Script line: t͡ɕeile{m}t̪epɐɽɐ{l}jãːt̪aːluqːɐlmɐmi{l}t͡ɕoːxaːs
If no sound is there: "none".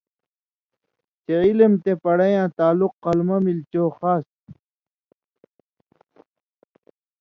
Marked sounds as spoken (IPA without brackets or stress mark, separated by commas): m, none, l